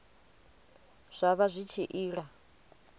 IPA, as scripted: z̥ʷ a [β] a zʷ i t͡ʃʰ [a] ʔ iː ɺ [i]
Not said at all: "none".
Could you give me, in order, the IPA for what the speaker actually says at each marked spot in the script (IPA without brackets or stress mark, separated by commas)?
β, i, a